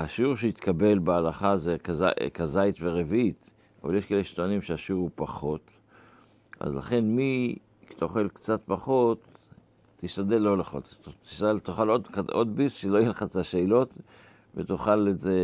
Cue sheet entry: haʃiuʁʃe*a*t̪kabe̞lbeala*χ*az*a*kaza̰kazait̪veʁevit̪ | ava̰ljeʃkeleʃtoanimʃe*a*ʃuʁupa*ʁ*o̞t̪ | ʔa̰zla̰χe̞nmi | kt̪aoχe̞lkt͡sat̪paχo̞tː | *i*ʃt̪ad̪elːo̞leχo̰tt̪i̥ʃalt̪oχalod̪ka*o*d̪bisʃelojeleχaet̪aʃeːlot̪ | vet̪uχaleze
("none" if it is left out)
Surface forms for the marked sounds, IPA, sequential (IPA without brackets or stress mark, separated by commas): i, χ, e, a, χ, i, o